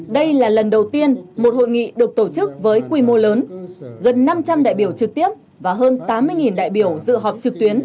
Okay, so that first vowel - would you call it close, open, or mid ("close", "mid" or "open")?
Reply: mid